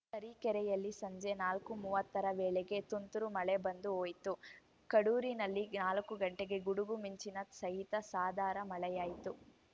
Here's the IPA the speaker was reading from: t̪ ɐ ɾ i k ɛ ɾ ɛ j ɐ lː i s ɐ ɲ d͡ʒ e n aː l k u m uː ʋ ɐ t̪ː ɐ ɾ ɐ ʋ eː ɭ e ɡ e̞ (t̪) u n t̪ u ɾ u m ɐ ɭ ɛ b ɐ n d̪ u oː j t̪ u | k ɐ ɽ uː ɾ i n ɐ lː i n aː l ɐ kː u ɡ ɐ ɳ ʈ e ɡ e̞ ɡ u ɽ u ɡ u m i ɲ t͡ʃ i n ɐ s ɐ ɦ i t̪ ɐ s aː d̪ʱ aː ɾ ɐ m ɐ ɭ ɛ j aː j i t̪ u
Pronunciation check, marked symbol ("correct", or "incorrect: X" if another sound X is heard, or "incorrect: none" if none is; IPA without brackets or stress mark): correct